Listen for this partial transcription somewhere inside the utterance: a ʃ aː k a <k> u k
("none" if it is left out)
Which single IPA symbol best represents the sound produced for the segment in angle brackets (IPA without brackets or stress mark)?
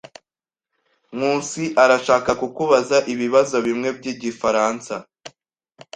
k